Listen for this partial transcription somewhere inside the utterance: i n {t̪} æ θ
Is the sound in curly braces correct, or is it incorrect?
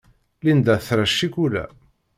incorrect